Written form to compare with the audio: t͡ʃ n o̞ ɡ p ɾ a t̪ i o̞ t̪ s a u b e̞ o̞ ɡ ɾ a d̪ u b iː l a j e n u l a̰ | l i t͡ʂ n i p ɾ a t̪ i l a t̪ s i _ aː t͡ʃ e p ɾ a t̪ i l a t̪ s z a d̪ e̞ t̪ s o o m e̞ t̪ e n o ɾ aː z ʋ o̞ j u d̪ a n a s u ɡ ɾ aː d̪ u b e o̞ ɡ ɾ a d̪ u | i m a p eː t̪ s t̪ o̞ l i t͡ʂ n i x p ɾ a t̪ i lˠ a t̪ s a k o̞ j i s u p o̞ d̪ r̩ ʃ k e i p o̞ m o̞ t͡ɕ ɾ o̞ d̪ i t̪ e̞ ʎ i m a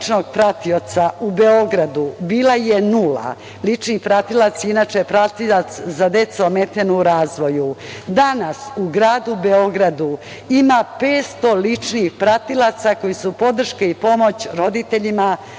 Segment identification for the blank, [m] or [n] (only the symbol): n